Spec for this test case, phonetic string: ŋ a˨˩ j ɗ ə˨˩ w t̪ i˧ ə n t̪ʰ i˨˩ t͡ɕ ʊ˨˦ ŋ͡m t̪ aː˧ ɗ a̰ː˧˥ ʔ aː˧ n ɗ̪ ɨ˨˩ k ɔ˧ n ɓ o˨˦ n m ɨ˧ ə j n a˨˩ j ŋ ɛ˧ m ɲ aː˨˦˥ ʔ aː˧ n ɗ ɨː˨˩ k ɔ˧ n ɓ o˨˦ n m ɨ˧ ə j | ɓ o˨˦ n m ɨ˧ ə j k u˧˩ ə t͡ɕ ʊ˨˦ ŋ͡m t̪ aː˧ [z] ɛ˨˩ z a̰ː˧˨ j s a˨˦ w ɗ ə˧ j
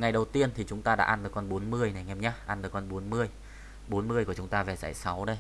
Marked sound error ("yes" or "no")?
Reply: yes